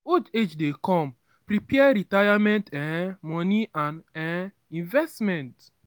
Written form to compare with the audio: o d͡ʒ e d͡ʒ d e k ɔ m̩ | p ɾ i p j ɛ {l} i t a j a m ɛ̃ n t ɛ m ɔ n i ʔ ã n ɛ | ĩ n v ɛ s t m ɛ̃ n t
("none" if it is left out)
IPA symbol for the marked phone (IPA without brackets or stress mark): ɾ